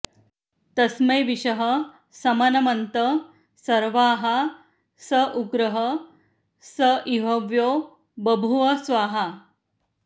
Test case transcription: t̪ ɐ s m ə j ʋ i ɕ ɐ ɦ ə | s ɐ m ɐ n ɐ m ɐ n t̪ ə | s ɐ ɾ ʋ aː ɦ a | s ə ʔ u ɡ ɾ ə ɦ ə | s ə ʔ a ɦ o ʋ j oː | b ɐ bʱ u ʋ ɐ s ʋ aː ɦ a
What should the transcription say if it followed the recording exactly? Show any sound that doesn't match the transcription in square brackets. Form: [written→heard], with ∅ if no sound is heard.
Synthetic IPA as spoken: t̪ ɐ s m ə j ʋ i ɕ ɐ ɦ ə | s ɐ m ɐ n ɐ m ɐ n t̪ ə | s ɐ ɾ ʋ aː ɦ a | s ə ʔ u ɡ ɾ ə ɦ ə | s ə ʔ [a→i] ɦ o ʋ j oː | b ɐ bʱ u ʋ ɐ s ʋ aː ɦ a